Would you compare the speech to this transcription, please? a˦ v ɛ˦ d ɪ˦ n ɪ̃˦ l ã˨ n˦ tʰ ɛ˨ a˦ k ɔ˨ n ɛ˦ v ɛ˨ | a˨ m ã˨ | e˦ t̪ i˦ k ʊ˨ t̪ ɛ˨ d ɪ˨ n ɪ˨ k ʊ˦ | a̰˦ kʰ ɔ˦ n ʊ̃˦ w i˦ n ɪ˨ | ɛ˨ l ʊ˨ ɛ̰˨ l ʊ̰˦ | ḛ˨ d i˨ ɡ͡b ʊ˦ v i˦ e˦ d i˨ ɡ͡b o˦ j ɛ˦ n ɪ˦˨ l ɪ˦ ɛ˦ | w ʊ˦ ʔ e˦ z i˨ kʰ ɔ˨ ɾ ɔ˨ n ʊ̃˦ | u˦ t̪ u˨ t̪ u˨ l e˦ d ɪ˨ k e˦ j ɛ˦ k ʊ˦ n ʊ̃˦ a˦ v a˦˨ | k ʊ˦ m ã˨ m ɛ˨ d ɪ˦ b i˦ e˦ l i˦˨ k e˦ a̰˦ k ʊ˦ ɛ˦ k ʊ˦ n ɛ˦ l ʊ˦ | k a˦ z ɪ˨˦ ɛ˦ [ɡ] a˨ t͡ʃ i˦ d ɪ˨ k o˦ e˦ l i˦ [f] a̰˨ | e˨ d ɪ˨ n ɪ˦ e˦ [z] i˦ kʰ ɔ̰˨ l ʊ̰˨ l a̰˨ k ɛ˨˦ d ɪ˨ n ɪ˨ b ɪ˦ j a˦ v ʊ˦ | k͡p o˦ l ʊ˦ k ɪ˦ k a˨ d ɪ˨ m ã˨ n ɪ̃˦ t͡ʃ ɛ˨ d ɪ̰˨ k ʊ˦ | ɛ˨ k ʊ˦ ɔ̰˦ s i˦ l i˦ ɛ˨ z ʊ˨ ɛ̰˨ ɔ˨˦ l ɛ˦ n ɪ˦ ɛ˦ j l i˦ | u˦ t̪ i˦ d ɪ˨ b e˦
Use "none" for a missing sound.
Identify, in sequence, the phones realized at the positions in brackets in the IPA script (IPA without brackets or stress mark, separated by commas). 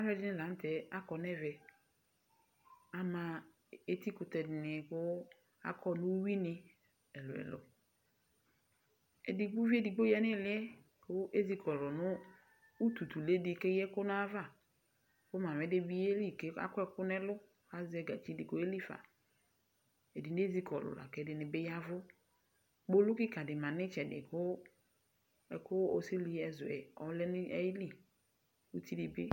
ɡ, f, z